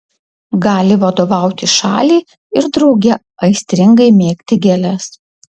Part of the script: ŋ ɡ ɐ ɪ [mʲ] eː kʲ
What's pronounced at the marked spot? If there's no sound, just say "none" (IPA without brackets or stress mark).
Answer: mʲ